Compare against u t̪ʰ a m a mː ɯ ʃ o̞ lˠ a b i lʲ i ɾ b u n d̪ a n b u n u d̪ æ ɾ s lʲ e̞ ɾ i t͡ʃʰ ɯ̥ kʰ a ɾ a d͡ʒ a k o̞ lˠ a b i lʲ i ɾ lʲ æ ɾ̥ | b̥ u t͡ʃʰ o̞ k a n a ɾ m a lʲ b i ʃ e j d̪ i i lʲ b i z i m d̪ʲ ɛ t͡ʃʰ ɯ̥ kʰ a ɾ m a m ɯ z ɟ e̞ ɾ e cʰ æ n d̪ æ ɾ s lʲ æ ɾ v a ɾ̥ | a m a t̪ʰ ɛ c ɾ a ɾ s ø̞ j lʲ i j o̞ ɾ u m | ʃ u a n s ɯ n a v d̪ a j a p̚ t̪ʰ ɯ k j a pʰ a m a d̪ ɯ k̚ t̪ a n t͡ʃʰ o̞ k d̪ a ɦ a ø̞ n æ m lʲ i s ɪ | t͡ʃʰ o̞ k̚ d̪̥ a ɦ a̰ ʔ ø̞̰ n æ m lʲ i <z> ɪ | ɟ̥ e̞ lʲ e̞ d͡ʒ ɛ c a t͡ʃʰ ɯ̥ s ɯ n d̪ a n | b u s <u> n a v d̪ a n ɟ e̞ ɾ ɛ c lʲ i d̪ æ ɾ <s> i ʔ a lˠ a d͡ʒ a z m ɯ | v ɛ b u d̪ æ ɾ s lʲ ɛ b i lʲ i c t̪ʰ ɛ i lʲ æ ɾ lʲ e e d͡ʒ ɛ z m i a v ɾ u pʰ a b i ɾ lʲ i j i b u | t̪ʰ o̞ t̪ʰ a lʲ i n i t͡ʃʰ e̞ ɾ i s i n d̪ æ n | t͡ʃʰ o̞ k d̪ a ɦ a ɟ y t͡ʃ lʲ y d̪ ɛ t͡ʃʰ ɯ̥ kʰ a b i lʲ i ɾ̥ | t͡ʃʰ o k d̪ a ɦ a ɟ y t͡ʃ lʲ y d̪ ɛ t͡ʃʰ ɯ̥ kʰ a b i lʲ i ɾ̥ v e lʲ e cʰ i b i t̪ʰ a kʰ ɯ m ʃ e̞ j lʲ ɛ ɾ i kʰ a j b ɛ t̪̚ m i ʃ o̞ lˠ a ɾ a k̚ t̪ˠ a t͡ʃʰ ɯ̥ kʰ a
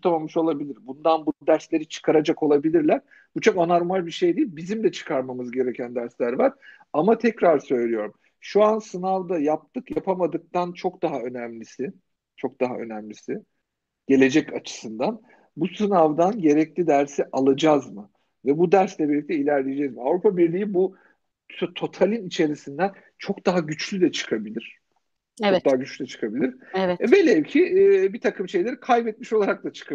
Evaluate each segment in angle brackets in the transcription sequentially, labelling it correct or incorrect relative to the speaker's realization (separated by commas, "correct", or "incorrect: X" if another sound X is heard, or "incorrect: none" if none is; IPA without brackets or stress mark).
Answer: incorrect: s, incorrect: ɯ, correct